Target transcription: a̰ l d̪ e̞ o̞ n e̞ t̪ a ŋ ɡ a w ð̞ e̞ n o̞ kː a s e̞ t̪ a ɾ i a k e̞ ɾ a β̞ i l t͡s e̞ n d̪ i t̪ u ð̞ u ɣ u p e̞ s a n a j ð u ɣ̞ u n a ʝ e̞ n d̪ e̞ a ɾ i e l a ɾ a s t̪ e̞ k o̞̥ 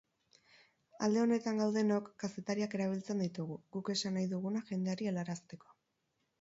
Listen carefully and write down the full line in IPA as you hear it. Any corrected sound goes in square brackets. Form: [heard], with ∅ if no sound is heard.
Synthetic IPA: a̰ l d̪ e̞ o̞ n e̞ t̪ a ŋ ɡ a w ð̞ e̞ n o̞ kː a s e̞ t̪ a ɾ i a k e̞ ɾ a β̞ i l t͡s e̞ n d̪ i t̪ u [ɣ̞] u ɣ u [k] e̞ s a n a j ð u ɣ̞ u n a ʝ e̞ n d̪ e̞ a ɾ i e l a ɾ a s t̪ e̞ k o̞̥